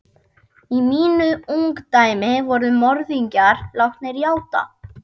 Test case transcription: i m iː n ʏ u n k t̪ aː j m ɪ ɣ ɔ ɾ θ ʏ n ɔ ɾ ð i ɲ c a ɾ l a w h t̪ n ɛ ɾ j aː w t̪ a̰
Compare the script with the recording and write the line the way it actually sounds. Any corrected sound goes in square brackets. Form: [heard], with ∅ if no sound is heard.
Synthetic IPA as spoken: i m iː n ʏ u [ŋ] k t̪ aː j m ɪ [v] ɔ ɾ [ð] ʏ [m] ɔ ɾ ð i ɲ c a ɾ l a w h t̪ n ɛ ɾ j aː w t̪ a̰